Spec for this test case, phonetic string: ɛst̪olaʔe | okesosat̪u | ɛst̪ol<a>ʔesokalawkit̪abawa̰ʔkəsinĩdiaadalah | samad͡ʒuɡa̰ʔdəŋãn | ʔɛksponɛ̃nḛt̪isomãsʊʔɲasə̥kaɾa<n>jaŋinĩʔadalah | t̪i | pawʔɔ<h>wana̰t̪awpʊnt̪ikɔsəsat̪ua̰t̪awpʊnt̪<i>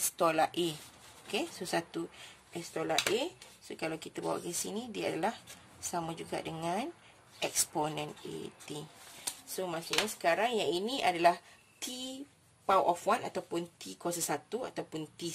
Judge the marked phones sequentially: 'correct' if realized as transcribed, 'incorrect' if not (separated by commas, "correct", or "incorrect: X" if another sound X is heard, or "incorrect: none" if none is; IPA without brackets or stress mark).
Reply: correct, incorrect: ŋ, incorrect: f, correct